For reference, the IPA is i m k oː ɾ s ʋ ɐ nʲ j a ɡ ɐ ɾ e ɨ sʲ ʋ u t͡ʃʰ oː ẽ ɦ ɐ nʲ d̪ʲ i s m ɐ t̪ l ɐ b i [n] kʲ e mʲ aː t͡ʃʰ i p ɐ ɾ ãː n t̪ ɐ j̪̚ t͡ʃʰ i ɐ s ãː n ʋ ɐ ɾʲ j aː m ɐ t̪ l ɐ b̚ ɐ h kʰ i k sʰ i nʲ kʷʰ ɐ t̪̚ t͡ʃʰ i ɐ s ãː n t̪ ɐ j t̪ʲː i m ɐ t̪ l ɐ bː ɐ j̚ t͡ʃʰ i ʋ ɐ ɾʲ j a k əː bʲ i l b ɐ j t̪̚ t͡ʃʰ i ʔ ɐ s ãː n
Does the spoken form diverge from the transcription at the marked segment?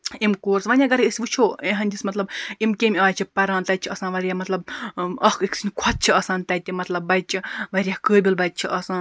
yes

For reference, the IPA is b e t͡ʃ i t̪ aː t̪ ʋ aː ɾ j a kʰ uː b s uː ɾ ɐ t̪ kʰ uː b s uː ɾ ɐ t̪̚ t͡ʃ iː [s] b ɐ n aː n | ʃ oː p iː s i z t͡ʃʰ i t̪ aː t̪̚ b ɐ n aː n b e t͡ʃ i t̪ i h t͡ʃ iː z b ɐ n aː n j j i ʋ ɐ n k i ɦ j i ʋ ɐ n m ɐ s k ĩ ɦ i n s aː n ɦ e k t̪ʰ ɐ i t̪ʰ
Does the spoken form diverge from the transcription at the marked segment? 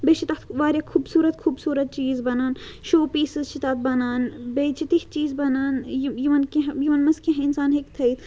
yes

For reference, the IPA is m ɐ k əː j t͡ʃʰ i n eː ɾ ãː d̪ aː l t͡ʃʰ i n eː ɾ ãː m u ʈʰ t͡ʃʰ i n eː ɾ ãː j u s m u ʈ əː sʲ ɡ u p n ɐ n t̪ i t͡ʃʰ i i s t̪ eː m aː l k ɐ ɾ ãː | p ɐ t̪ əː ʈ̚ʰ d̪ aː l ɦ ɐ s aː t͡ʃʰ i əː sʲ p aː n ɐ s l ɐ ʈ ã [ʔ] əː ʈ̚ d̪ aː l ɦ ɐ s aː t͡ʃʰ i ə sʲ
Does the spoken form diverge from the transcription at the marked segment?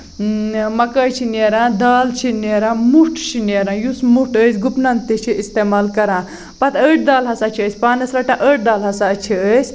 no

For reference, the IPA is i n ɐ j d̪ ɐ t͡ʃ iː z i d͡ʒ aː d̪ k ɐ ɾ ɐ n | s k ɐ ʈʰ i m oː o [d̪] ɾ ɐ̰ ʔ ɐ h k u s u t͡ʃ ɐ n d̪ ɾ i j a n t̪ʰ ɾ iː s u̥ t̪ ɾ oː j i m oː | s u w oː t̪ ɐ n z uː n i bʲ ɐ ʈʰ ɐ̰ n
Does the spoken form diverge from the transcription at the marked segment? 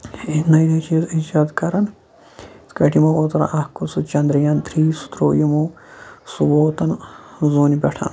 yes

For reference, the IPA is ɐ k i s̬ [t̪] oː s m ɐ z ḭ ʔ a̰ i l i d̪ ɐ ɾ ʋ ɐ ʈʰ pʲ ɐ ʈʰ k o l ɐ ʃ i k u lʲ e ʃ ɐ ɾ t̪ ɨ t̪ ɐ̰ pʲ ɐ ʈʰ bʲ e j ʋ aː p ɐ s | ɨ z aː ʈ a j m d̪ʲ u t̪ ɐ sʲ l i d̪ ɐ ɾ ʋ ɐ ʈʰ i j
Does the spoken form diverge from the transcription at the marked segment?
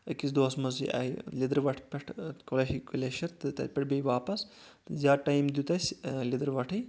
yes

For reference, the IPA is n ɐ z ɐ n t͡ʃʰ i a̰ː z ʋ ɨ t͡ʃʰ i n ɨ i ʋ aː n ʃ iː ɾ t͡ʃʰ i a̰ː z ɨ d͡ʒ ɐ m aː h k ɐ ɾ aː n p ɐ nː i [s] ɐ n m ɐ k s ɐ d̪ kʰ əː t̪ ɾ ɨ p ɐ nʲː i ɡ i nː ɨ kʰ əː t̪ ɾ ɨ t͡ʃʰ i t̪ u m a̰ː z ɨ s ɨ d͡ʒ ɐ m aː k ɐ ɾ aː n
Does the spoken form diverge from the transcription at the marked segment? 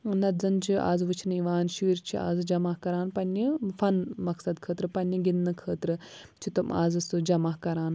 yes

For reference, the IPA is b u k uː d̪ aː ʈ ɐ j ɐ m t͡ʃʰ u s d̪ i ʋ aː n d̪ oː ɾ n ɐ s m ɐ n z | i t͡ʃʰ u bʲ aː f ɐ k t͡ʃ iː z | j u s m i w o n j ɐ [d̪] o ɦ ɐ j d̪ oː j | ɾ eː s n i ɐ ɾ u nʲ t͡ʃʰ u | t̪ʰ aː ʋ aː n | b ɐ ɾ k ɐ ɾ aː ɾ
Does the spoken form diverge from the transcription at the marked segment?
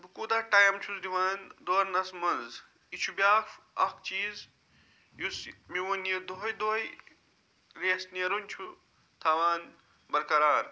no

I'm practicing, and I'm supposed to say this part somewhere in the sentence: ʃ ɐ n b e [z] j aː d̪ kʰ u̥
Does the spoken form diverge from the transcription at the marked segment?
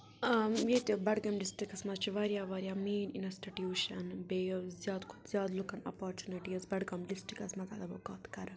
no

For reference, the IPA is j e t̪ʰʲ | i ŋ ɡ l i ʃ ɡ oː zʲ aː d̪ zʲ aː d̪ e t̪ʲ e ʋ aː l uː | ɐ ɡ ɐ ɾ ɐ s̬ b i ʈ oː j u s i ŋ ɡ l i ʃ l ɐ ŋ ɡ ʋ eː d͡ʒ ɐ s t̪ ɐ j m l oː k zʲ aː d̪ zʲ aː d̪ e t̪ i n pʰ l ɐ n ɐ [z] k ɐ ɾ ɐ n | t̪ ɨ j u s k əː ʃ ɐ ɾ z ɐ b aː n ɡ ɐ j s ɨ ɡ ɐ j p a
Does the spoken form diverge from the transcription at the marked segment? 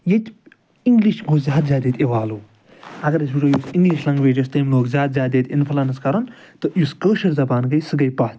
yes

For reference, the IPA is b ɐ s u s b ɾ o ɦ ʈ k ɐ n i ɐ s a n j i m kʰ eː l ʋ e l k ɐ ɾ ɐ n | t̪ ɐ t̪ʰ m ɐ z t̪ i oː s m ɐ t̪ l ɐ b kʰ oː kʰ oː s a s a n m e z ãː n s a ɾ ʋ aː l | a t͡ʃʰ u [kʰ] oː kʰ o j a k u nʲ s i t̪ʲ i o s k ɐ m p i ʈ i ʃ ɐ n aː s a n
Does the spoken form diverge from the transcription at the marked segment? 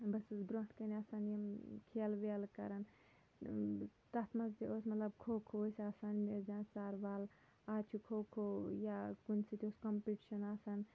no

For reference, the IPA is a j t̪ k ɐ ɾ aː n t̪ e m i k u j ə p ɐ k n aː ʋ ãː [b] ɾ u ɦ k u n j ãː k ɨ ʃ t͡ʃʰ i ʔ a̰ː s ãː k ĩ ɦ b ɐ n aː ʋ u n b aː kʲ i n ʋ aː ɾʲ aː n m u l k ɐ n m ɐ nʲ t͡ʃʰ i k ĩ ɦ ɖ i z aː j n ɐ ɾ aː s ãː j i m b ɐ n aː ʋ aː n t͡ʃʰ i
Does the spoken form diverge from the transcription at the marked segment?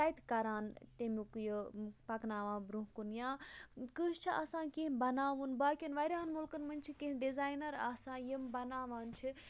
no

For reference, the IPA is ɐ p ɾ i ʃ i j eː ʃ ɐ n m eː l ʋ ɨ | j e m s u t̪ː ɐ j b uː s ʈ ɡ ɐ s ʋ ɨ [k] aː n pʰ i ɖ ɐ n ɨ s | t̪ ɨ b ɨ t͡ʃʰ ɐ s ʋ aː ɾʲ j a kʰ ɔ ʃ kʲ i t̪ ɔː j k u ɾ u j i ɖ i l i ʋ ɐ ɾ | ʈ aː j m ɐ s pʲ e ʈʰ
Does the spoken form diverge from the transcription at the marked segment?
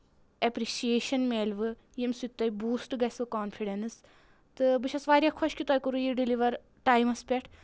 no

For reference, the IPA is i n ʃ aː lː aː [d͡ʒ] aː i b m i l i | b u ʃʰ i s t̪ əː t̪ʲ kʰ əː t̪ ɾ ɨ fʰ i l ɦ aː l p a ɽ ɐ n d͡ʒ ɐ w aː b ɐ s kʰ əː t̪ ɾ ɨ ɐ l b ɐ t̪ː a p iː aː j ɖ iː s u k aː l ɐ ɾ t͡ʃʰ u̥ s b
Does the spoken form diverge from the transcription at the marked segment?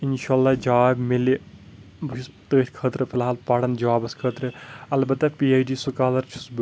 no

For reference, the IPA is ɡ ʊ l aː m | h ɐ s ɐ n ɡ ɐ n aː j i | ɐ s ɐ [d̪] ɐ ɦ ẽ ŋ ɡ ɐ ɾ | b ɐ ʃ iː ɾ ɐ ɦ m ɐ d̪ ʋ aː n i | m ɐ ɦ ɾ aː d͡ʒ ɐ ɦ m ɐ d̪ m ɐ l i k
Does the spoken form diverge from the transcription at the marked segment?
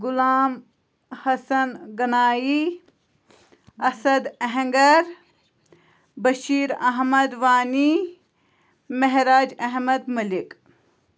no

